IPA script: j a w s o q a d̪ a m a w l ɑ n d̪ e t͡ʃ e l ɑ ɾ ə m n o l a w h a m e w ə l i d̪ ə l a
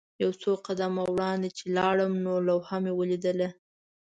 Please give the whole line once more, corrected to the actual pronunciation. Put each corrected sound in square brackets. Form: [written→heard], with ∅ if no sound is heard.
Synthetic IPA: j a w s o q a d̪ a m a w [l→ɽ] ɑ n d̪ e t͡ʃ e l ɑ [ɾ→ɽ] ə m n o l a w h a m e w ə l i d̪ ə l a